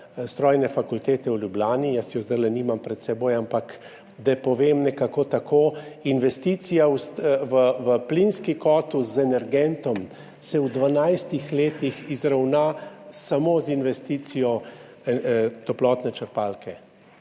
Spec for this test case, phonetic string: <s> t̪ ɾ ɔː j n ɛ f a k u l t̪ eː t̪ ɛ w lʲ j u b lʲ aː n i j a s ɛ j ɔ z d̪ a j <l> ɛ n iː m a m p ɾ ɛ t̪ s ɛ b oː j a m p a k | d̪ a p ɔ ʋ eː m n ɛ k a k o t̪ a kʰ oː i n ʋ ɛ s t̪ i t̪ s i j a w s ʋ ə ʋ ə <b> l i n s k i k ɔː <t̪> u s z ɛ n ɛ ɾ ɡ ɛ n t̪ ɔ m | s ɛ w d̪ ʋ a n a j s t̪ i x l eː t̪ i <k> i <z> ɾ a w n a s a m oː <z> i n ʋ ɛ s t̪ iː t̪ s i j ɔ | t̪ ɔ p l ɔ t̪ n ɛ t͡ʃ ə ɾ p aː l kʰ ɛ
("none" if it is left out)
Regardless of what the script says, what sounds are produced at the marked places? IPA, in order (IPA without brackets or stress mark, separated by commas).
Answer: s, l, p, t̪, x, z, z